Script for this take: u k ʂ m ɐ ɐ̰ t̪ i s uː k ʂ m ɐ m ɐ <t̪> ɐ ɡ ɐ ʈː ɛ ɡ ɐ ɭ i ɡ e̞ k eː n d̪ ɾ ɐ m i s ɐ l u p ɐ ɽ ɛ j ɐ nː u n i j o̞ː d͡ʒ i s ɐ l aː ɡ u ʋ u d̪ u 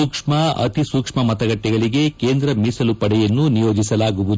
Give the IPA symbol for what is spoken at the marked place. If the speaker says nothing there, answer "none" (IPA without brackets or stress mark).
t̪